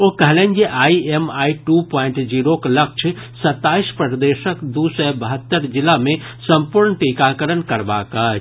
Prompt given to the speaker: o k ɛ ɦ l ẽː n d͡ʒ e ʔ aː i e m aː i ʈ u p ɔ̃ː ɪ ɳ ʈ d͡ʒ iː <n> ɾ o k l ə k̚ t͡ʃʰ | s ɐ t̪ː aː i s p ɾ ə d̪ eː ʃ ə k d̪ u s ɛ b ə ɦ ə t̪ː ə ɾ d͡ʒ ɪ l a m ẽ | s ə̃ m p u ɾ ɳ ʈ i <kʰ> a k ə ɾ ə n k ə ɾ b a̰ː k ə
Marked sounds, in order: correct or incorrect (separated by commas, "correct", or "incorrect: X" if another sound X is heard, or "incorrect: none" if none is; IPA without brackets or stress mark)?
incorrect: none, incorrect: k